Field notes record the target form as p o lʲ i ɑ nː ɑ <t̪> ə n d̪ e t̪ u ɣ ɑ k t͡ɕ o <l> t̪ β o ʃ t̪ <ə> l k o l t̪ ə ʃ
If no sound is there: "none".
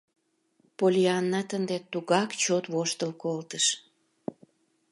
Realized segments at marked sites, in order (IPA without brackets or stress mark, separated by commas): t̪, none, ə